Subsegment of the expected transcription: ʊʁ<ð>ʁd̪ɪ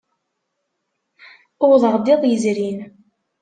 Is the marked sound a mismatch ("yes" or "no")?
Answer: no